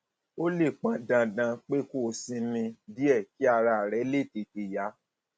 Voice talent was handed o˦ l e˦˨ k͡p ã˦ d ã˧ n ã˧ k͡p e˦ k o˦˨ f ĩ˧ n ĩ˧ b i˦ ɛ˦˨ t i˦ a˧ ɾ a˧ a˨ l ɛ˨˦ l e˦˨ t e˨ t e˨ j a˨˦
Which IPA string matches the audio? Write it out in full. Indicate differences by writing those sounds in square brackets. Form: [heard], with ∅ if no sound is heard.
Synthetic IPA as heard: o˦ l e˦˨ k͡p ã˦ d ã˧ [d] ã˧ k͡p e˦ k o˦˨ [s] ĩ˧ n ĩ˧ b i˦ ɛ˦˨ [k] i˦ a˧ ɾ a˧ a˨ [ɾ] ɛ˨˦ l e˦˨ t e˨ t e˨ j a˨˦